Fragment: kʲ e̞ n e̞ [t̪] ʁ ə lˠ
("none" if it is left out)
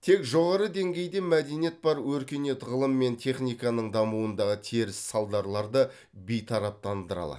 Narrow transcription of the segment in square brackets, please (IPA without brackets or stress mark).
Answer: t̪